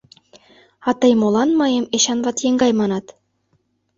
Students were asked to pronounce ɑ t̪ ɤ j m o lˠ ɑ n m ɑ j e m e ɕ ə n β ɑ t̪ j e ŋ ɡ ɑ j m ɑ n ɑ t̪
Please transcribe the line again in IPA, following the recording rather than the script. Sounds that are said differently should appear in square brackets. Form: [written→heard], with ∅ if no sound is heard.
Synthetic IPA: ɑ t̪ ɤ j m o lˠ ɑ n m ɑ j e m e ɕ [ə→ɑ] n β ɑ t̪ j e ŋ ɡ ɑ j m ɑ n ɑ t̪